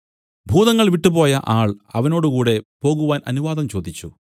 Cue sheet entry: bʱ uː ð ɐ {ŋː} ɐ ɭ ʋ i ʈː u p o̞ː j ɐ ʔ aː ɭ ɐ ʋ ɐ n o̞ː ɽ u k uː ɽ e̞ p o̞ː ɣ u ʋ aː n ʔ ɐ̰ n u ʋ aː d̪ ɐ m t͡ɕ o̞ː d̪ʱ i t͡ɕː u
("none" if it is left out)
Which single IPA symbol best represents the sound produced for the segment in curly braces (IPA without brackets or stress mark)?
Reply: ŋː